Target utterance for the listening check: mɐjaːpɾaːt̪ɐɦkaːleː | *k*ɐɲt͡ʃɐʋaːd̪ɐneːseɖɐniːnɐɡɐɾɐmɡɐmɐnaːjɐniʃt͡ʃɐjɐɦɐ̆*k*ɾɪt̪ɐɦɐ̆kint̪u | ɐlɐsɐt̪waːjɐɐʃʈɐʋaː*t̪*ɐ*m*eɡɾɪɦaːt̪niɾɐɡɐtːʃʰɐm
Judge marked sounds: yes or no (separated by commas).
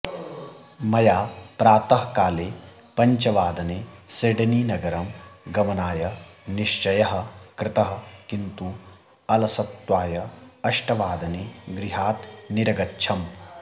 no, yes, no, no